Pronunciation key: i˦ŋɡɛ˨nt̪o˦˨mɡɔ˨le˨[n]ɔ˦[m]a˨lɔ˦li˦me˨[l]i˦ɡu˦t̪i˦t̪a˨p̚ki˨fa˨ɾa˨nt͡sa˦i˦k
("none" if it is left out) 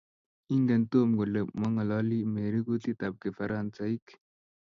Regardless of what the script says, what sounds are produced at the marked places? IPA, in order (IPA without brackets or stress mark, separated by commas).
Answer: m, ŋ, ɾ